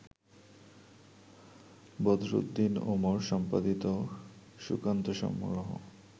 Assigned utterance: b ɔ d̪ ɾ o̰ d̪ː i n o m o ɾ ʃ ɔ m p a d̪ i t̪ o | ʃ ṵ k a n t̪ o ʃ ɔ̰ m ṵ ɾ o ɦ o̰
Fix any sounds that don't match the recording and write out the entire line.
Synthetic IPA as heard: b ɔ d̪ ɾ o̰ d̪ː i n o m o ɾ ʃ ɔ m p a d̪ i t̪ o | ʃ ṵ k a n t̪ o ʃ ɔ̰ m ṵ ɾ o ɦ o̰